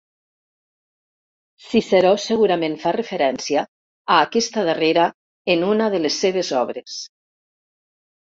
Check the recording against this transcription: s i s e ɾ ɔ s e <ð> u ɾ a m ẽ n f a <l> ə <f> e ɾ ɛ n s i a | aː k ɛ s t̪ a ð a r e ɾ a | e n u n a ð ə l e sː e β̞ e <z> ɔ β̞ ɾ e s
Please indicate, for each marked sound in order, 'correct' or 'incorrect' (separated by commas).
incorrect, incorrect, correct, correct